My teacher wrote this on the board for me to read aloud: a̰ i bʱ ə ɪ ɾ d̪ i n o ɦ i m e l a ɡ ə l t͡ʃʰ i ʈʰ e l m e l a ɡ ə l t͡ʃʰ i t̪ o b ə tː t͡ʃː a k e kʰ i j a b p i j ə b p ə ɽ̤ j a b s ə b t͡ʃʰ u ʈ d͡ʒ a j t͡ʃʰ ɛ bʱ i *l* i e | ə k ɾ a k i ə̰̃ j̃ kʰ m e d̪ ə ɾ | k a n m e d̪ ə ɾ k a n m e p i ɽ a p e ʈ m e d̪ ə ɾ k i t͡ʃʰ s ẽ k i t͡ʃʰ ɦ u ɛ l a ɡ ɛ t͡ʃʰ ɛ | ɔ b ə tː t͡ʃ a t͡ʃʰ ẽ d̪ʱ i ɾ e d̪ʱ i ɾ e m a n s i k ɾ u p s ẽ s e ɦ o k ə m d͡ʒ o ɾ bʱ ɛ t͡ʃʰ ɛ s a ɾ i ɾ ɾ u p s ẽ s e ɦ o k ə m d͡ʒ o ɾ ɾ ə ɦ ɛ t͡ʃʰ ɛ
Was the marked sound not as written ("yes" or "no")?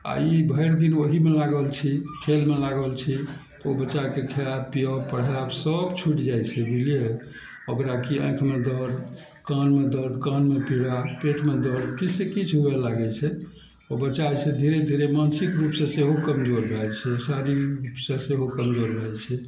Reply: no